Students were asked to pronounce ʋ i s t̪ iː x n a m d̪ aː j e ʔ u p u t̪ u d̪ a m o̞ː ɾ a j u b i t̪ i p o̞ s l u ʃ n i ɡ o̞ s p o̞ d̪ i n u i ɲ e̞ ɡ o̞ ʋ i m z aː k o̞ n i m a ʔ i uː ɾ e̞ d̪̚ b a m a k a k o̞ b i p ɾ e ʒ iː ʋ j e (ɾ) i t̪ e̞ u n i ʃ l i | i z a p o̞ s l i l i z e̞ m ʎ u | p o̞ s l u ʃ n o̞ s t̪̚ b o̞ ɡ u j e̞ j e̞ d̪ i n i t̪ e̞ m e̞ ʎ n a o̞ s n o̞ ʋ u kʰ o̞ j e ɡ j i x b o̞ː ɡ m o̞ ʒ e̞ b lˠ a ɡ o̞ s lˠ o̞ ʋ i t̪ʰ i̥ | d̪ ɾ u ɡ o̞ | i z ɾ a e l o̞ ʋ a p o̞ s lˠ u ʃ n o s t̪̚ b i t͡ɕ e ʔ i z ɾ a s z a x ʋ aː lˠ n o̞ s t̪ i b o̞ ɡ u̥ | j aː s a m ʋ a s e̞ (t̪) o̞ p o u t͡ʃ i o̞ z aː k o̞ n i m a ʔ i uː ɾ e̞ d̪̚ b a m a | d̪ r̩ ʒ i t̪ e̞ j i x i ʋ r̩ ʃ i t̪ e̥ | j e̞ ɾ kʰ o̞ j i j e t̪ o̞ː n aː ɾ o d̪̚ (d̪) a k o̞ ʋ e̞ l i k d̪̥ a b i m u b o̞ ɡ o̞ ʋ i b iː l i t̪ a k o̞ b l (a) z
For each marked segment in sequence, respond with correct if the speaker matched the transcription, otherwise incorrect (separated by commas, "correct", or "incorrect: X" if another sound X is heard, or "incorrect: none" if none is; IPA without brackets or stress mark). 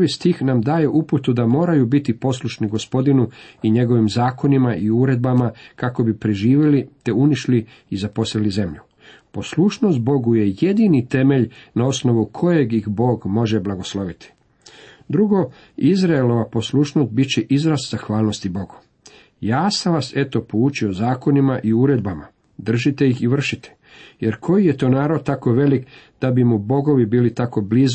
incorrect: l, correct, incorrect: t̪, incorrect: i